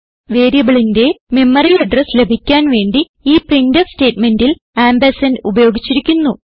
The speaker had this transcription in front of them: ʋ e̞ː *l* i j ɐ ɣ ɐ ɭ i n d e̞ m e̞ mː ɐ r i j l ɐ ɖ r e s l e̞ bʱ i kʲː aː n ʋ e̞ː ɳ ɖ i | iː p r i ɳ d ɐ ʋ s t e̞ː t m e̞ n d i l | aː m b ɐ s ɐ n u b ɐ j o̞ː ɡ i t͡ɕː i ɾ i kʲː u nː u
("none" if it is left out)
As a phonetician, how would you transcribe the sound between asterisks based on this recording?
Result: ɾ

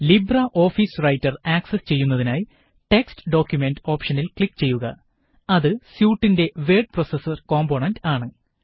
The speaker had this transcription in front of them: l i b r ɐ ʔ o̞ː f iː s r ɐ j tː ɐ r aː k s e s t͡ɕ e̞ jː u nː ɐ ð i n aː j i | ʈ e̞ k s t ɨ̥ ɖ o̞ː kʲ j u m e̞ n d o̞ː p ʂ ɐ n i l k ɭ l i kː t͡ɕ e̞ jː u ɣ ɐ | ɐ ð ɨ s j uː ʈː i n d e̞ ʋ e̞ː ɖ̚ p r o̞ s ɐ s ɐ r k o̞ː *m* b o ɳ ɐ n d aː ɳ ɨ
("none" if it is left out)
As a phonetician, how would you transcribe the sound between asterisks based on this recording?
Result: m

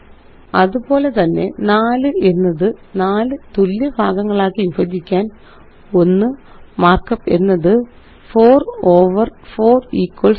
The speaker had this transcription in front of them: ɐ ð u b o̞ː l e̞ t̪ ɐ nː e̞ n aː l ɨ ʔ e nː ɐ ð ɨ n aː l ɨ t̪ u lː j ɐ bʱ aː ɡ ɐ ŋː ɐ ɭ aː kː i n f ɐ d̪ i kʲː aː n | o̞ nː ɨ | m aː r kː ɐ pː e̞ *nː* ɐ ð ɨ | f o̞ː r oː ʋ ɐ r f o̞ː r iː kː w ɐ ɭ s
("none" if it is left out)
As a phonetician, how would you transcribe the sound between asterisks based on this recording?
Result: nː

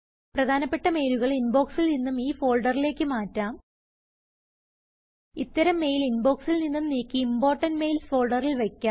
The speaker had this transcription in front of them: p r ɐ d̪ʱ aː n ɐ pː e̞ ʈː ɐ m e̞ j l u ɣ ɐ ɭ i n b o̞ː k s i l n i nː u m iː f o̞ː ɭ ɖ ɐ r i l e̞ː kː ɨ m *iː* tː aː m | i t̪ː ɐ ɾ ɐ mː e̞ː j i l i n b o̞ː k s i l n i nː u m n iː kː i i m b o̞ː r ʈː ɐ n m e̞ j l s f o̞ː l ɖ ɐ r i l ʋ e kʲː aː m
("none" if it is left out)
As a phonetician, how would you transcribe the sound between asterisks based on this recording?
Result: aː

